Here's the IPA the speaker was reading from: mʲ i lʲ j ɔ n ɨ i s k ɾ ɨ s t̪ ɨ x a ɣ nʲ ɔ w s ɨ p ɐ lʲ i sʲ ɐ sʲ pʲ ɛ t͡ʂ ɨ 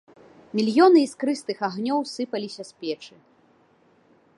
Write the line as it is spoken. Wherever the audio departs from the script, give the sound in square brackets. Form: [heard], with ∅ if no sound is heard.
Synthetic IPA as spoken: mʲ i lʲ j ɔ n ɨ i s k ɾ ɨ s t̪ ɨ x a ɣ nʲ ɔ w s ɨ p ɐ lʲ i sʲ ɐ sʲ pʲ ɛ t͡ʂ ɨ